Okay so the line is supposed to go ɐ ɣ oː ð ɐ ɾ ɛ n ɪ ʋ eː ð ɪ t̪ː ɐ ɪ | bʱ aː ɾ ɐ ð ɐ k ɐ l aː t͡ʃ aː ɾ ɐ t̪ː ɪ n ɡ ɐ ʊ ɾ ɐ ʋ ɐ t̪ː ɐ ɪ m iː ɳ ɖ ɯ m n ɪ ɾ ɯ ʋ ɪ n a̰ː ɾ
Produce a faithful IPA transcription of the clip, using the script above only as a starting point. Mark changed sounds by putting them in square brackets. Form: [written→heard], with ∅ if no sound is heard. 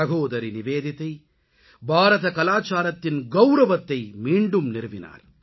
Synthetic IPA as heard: ɐ ɣ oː ð ɐ ɾ [ɛ→i] n ɪ ʋ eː ð ɪ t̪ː ɐ ɪ | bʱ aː ɾ ɐ ð ɐ k ɐ l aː t͡ʃ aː ɾ ɐ t̪ː ɪ n ɡ ɐ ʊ ɾ ɐ ʋ ɐ t̪ː ɐ ɪ m iː ɳ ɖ ɯ m n ɪ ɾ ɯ ʋ ɪ n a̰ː ɾ